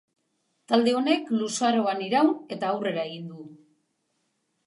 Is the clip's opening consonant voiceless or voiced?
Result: voiceless